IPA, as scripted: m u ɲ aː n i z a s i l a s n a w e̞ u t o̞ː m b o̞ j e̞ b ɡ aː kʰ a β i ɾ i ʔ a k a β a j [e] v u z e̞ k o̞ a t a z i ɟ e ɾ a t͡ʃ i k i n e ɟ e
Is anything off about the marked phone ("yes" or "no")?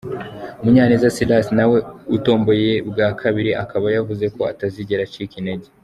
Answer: yes